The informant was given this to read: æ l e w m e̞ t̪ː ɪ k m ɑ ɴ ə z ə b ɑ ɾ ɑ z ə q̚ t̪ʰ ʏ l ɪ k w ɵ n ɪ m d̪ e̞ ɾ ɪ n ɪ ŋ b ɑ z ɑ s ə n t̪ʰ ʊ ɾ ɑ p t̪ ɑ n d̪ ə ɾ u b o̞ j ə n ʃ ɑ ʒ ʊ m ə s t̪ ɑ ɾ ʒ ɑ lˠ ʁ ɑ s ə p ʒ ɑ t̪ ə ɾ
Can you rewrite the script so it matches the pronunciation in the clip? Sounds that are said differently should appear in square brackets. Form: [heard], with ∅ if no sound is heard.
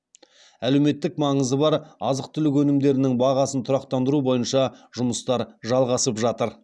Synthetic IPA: æ l e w m e̞ t̪ː ɪ k m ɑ ɴ ə z ə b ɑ ɾ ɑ z ə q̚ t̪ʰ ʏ l ɪ k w ɵ n ɪ m d̪ e̞ ɾ ɪ n ɪ ŋ b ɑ [ʁ] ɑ s ə n t̪ʰ ʊ ɾ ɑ [q] t̪ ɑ n d̪ ə ɾ u b o̞ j ə n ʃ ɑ ʒ ʊ m ə s t̪ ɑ ɾ ʒ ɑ lˠ ʁ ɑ s ə p ʒ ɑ t̪ ə ɾ

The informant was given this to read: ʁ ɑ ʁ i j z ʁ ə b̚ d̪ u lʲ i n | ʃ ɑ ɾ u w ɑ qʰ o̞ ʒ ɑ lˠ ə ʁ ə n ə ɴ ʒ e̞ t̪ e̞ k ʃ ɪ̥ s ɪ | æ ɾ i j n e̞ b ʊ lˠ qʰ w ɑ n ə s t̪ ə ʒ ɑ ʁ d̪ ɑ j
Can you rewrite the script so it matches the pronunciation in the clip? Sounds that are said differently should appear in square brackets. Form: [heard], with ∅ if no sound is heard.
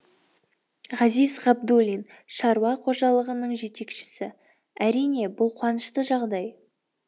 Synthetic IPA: ʁ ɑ [z] i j z ʁ [ɑ] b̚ d̪ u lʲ i n | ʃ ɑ ɾ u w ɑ qʰ o̞ ʒ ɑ lˠ ə ʁ ə n ə ɴ ʒ e̞ t̪ e̞ k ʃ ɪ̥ s ɪ | æ ɾ i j n e̞ b ʊ lˠ qʰ w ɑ n ə [ʃ] t̪ ə ʒ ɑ ʁ d̪ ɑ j

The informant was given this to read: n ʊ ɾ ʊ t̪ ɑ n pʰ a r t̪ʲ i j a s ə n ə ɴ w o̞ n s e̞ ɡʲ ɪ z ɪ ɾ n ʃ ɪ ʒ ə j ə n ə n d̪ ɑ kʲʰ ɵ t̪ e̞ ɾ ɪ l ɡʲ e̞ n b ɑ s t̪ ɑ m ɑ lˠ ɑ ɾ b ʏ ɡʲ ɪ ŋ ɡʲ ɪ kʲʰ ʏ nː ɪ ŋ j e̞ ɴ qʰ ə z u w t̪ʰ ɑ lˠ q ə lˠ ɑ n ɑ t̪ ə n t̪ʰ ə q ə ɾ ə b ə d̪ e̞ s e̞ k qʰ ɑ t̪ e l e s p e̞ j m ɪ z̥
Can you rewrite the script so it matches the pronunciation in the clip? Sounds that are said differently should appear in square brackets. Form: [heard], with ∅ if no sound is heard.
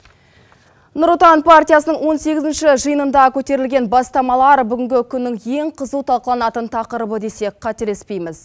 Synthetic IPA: n ʊ ɾ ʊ t̪ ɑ n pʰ a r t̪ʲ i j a s ə n ə ɴ w o̞ n s e̞ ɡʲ ɪ z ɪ [∅] n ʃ ɪ ʒ ə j ə n ə n d̪ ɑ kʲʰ ɵ t̪ e̞ ɾ ɪ l ɡʲ e̞ n b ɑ s t̪ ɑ m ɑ lˠ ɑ ɾ b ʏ ɡʲ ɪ ŋ ɡʲ ɪ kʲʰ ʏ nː ɪ ŋ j e̞ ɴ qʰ ə z u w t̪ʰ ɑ lˠ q ə lˠ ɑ n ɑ t̪ ə n t̪ʰ [ɑ] q ə ɾ ə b ə d̪ e̞ s e̞ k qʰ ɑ t̪ e l e s p e̞ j m ɪ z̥

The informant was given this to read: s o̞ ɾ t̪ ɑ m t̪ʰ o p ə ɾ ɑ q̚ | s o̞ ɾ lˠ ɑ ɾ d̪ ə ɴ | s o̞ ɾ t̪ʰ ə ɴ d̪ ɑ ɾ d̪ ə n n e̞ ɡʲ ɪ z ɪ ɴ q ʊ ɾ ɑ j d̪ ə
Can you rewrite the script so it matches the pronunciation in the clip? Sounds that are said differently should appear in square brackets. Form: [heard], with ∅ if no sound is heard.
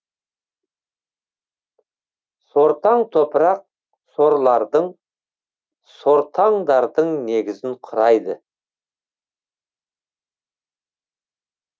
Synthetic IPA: s o̞ ɾ t̪ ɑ [ɴ] t̪ʰ o p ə ɾ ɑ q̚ | s o̞ ɾ lˠ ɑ ɾ d̪ ə ɴ | s o̞ ɾ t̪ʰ [ɑ] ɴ d̪ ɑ ɾ d̪ ə [ɴ] n e̞ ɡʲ ɪ z ɪ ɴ [qʰ] ʊ ɾ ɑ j d̪ ə

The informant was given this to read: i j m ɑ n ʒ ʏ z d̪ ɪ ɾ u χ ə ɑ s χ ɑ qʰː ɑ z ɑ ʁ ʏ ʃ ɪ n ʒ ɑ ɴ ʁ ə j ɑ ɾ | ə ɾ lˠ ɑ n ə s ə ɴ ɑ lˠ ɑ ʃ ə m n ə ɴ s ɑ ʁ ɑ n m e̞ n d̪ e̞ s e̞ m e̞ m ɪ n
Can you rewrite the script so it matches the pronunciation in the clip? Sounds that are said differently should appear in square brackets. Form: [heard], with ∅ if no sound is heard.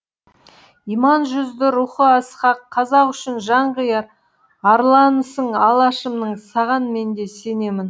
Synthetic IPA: i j m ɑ n ʒ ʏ z d̪ ɪ ɾ u χ ə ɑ s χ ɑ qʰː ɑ z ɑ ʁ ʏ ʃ ɪ n ʒ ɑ ɴ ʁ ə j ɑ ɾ | [ɑ] ɾ lˠ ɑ n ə s ə ɴ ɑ lˠ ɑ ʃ ə m n ə ɴ s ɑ ʁ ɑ n m e̞ n d̪ e̞ s e̞ [n] e̞ m ɪ n

